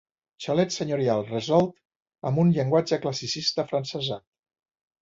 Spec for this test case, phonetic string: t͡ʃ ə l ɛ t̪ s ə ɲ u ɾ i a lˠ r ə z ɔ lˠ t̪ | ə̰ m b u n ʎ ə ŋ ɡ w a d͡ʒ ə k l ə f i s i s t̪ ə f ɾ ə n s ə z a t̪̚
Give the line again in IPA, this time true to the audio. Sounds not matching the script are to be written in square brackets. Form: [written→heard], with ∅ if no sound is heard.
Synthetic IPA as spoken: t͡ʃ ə l ɛ t̪ s ə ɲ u ɾ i a lˠ r ə z ɔ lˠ t̪ | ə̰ m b u n ʎ ə ŋ ɡ w a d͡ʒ ə k l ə [f→s] i s i s t̪ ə f ɾ ə n s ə z a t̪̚